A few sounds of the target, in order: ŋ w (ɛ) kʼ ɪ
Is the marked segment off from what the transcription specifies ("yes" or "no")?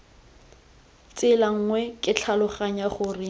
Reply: no